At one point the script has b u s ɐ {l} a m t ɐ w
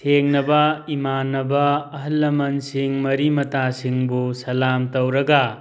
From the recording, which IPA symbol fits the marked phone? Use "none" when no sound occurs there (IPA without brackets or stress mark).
l